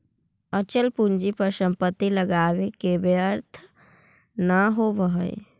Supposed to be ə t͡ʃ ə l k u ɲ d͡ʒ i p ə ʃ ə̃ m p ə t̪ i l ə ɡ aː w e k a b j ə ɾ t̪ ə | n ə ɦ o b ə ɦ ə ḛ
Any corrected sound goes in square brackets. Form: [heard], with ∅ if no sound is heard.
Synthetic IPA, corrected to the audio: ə t͡ʃ ə l [p] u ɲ d͡ʒ i p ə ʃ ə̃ m p ə t̪ i l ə ɡ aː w e k [e] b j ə ɾ [t̪ʰ] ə | n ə ɦ o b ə ɦ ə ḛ

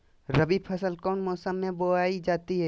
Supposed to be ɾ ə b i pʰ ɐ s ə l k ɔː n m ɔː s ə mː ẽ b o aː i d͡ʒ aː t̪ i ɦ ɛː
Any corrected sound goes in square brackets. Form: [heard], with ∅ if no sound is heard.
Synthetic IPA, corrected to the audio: ɾ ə b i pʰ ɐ s ə l k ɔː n m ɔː s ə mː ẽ b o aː i d͡ʒ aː t̪ i ɦ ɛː

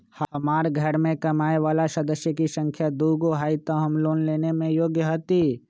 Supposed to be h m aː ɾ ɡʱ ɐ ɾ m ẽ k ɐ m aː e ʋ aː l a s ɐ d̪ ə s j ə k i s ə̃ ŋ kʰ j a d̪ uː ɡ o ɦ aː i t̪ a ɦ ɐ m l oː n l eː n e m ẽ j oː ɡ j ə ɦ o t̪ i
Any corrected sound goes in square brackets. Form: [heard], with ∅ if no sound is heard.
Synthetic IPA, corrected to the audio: h m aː ɾ ɡʱ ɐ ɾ m ẽ k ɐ m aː e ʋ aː l a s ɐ d̪ ə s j ə k i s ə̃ ŋ kʰ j a d̪ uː ɡ o ɦ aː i t̪ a ɦ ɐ m l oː n l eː n e m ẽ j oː ɡ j ə ɦ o t̪ i

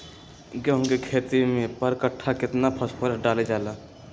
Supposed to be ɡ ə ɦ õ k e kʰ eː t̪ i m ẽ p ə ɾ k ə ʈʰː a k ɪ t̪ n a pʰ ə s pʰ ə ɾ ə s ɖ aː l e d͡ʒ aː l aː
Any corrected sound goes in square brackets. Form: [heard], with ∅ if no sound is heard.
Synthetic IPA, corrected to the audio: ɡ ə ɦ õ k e kʰ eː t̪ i m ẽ p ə ɾ k ə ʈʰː a k ɪ t̪ n a pʰ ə s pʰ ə ɾ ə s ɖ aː l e d͡ʒ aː l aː

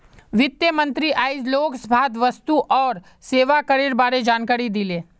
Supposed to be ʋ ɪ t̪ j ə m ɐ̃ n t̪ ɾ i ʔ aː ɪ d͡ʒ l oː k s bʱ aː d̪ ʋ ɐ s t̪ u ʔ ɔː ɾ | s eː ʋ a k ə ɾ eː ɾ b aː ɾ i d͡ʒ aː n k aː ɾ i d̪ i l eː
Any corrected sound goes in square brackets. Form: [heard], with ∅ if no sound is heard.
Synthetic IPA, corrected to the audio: ʋ ɪ t̪ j ə m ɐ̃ n t̪ ɾ i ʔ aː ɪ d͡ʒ l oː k s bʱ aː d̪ ʋ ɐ s t̪ u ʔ ɔː ɾ | s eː ʋ a k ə ɾ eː ɾ b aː ɾ [e] d͡ʒ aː n k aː ɾ i d̪ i l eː

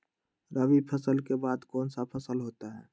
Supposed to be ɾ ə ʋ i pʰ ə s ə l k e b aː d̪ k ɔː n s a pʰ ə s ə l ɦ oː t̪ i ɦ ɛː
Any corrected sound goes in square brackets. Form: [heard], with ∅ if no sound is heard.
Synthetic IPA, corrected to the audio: ɾ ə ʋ i pʰ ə s ə l k e b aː d̪ k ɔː n s a pʰ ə s ə l ɦ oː t̪ [a] ɦ ɛː

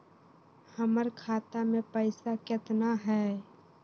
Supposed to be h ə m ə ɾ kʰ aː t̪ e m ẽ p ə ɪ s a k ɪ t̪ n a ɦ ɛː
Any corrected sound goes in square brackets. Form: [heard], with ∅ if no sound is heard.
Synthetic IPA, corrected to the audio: h ə m ə ɾ kʰ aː t̪ [a] m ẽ p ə ɪ s a k ɪ t̪ n a ɦ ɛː

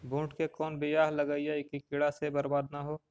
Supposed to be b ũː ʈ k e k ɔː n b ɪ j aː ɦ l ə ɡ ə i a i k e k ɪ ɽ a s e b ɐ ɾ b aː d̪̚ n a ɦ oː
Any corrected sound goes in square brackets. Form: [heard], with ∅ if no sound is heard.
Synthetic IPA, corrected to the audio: b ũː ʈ k e k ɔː n b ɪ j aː ɦ l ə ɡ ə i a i k [i] k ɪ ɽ a s e b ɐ ɾ b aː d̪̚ n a ɦ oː

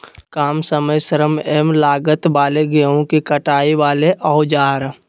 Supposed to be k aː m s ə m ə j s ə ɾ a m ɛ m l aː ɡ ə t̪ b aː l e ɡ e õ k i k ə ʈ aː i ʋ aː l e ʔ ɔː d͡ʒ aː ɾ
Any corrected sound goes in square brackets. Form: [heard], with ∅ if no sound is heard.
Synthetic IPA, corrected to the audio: k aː m s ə m ə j s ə ɾ [ə] m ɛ m l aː ɡ ə t̪ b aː l e ɡ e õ k i k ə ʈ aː i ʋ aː l e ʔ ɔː d͡ʒ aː ɾ

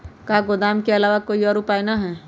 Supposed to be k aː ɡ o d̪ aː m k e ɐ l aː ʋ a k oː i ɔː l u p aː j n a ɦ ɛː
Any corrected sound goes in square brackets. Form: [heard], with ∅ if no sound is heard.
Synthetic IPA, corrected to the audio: k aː ɡ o d̪ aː m k e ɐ l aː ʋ a k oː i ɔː [ɾ] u p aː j n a ɦ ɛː

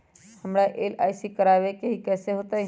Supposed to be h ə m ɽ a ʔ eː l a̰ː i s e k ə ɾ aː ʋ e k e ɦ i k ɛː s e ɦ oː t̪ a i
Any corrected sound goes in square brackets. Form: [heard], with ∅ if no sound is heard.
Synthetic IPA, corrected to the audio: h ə m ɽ a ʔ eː l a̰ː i s [i] k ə ɾ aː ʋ e k e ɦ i k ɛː s e ɦ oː t̪ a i

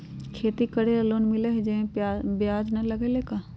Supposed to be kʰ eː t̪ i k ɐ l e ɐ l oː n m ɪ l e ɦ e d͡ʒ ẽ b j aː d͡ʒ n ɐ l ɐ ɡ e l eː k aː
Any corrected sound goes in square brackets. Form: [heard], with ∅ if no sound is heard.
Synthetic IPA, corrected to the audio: kʰ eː t̪ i k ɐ [ɽ] e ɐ l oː n m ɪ l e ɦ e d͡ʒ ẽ b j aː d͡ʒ n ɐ l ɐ ɡ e l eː k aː

